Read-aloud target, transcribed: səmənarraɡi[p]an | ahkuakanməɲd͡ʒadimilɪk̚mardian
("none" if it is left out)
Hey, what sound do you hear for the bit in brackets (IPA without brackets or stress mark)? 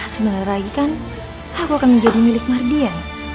k